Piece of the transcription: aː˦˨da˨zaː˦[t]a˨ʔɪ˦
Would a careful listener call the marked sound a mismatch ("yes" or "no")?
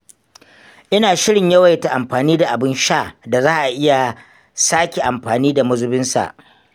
yes